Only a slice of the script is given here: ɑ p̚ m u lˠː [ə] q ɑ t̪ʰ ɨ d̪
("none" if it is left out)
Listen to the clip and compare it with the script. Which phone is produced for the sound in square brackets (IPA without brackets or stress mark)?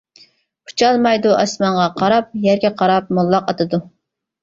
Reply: ɑ